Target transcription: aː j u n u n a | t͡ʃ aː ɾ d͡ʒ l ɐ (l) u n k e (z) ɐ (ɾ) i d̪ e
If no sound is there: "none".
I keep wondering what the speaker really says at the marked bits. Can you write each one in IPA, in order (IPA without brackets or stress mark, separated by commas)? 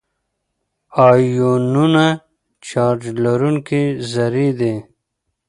ɾ, z, ɾ